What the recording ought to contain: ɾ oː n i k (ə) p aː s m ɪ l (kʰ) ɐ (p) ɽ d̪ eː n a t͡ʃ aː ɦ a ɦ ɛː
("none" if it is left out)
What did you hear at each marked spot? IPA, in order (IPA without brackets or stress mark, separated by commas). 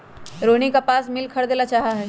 a, kʰ, none